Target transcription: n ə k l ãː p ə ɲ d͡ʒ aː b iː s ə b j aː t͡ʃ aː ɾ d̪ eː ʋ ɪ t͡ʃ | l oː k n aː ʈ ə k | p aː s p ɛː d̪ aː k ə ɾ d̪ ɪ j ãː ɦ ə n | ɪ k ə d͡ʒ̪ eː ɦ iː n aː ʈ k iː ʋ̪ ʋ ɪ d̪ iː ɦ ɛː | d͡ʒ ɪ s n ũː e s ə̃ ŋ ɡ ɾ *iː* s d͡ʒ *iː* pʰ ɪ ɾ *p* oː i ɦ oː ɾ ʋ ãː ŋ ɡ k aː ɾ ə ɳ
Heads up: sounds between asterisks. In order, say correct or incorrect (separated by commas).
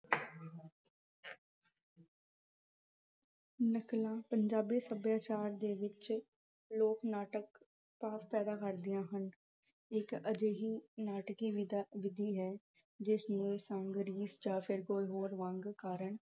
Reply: correct, incorrect, incorrect